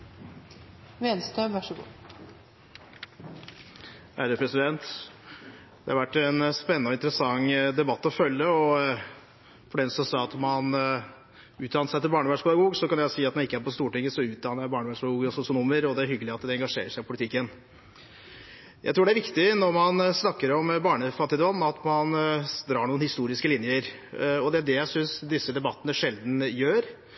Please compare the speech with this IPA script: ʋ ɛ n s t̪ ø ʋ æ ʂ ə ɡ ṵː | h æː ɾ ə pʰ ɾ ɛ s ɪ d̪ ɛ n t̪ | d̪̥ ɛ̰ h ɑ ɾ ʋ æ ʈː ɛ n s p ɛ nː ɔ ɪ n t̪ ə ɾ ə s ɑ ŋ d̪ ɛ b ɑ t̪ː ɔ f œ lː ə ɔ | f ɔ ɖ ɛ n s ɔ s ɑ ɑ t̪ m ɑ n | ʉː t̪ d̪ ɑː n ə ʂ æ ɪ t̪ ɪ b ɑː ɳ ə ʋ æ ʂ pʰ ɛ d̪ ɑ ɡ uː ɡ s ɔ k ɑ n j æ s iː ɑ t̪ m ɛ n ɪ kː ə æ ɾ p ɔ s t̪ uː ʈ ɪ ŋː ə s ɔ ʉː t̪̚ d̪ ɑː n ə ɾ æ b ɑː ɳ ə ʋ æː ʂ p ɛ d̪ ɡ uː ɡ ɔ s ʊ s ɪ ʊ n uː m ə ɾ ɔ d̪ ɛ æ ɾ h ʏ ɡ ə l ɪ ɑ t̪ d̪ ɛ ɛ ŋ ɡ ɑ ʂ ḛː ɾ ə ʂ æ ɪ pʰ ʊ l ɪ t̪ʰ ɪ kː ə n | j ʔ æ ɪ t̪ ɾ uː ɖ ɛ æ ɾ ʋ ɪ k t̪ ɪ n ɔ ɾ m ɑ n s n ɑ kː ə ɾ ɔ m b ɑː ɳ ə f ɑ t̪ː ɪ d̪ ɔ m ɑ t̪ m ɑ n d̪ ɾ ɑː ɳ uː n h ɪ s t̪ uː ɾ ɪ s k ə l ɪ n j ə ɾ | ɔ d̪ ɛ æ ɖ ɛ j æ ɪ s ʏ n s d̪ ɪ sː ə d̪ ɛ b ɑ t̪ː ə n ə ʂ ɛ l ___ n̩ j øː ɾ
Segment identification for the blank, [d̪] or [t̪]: d̪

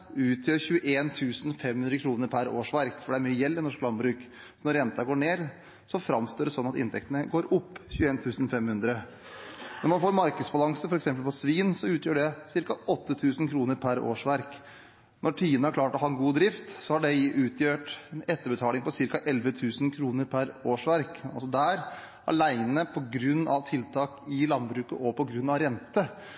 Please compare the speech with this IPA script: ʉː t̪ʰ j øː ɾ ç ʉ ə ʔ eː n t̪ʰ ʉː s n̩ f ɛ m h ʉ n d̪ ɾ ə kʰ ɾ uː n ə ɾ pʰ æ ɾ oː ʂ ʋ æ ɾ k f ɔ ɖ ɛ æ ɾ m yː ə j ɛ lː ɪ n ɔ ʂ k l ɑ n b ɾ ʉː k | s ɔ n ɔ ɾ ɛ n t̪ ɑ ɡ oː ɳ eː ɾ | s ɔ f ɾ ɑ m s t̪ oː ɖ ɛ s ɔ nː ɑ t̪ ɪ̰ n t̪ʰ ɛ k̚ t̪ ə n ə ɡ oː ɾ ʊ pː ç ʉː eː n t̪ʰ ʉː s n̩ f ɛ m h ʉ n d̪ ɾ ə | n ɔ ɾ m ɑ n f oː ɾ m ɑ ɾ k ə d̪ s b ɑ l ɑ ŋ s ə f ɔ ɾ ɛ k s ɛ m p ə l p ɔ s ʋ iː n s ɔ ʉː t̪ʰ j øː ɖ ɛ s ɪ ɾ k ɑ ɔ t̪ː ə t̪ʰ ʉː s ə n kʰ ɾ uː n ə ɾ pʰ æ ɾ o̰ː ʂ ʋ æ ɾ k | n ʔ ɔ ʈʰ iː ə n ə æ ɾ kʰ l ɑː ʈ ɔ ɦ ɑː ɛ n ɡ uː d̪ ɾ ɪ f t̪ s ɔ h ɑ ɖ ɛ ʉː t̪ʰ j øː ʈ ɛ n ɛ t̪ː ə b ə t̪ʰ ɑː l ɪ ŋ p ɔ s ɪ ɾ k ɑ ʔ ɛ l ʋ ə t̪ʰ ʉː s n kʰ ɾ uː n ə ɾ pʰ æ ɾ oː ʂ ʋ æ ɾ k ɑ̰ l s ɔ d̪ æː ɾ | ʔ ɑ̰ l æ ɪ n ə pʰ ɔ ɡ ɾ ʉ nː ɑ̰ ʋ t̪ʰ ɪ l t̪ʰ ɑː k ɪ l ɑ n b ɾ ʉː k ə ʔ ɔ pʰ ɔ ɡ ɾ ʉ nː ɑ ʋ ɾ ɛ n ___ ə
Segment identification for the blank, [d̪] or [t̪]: t̪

